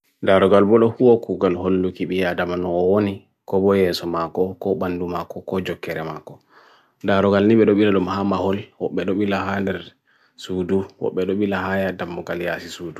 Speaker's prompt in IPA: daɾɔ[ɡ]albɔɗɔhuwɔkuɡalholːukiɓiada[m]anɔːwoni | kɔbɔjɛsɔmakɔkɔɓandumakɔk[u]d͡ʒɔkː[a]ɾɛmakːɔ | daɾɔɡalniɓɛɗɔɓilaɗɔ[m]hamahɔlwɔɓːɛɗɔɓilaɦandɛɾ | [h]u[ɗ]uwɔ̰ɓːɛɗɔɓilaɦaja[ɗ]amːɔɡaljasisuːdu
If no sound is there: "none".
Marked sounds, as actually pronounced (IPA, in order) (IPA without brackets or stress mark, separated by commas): ɡ, m, ɔ, ɛ, m, s, d, d